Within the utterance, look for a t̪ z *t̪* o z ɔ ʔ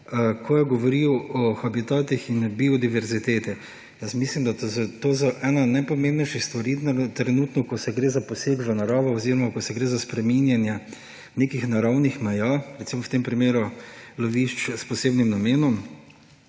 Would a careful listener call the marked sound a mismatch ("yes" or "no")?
no